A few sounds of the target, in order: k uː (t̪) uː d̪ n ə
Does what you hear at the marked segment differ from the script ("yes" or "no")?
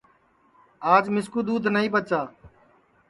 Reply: yes